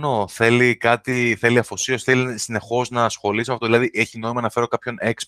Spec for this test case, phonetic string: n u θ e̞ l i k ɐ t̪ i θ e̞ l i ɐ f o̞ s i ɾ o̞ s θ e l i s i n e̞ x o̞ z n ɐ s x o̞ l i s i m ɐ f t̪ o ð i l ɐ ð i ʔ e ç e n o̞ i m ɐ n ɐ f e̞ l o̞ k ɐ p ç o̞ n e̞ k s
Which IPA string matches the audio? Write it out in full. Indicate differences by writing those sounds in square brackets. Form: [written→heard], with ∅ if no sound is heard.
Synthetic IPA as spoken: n [u→o] θ e̞ l i k ɐ t̪ i θ e̞ l i ɐ f o̞ s i [ɾ→∅] o̞ s θ e l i s i n e̞ x o̞ z n ɐ s x o̞ l i s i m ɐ f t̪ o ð i l ɐ ð i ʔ e ç [e→i] n o̞ i m ɐ n ɐ f e̞ [l→ɾ] o̞ k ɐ p ç o̞ n e̞ k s